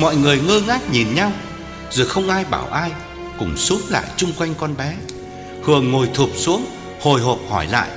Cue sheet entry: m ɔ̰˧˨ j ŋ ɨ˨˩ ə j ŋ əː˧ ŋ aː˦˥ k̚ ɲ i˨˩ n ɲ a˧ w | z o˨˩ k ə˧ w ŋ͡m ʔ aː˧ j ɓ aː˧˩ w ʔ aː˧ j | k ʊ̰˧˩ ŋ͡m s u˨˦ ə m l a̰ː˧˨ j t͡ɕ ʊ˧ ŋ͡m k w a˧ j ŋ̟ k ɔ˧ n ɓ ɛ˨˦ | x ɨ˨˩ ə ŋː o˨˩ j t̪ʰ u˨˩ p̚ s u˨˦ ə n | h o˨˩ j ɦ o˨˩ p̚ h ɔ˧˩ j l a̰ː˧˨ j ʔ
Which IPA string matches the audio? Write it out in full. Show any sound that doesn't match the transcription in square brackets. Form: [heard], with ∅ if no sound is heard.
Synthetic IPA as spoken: m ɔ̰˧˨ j ŋ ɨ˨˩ ə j ŋ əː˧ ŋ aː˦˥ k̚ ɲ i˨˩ n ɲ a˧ w | z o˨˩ [x] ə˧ w ŋ͡m ʔ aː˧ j ɓ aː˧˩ w ʔ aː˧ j | k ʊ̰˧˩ ŋ͡m s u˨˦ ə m l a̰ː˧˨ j t͡ɕ ʊ˧ ŋ͡m k w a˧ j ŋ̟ k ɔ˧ n ɓ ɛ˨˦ | [h] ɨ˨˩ ə ŋː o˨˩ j t̪ʰ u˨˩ p̚ s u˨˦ ə [ŋ] | h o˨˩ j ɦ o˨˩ p̚ h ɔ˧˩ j l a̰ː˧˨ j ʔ